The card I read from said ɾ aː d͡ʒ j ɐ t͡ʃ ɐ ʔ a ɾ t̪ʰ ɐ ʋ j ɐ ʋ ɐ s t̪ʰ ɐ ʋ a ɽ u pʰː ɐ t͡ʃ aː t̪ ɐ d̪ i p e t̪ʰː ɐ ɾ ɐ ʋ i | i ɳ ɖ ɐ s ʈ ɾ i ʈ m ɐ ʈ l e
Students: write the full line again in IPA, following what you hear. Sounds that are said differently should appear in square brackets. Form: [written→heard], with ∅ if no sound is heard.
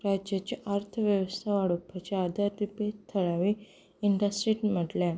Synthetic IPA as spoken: ɾ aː d͡ʒ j ɐ t͡ʃ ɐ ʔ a ɾ t̪ʰ ɐ ʋ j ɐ ʋ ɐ s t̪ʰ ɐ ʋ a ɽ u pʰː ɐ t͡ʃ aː [t̪→d̪] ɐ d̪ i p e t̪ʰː ɐ [ɾ→ɭ] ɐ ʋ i | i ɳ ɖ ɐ s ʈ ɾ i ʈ m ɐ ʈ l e